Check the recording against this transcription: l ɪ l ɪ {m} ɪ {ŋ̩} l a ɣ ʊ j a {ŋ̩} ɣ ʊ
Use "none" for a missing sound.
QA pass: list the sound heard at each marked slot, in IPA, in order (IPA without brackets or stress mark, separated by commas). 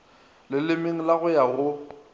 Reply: m, ŋ̩, none